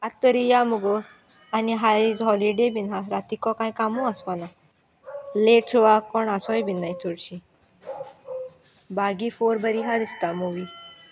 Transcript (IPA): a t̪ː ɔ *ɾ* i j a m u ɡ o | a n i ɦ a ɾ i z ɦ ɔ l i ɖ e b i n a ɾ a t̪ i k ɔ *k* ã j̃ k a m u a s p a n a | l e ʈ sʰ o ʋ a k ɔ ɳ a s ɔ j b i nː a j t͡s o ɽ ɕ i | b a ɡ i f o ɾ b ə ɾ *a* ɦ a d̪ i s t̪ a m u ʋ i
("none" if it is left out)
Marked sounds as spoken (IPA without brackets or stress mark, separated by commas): ɾ, k, i